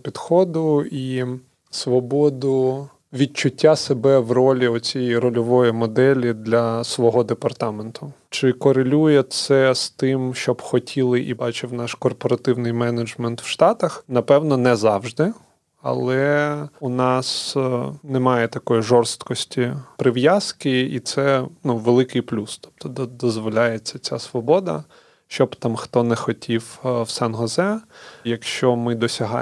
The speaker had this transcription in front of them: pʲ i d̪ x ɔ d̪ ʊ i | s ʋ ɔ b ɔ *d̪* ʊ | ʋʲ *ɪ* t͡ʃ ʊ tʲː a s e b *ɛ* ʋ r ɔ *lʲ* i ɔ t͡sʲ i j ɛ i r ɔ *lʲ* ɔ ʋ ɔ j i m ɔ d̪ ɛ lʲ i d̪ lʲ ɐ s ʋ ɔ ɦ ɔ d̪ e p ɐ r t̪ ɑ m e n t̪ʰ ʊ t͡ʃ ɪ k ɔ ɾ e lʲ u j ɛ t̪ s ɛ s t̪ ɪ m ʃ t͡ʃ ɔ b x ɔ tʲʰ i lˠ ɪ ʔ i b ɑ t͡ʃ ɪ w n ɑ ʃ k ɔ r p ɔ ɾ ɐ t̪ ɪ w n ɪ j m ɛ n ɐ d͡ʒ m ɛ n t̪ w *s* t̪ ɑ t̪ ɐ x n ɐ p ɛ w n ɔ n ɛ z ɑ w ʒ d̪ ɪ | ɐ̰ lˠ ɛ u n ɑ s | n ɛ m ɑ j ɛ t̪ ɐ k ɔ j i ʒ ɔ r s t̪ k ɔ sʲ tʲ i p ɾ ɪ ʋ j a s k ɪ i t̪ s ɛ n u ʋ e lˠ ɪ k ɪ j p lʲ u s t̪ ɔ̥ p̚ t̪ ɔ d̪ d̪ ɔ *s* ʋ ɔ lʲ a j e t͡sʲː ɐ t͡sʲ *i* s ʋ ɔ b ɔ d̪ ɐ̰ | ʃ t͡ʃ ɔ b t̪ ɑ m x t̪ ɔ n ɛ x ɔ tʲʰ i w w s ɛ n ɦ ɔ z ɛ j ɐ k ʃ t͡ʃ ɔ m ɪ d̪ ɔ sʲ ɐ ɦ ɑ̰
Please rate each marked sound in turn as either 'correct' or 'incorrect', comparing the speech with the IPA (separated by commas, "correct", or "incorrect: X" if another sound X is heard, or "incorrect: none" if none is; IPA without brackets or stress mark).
correct, incorrect: i, correct, correct, correct, incorrect: ʃ, incorrect: z, incorrect: a